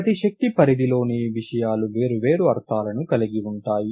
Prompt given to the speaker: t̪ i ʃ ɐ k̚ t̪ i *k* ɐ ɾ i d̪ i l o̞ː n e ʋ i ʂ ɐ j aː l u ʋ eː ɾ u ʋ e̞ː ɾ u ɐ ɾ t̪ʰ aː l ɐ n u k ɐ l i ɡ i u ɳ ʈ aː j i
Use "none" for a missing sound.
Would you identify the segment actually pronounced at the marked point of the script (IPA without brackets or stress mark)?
p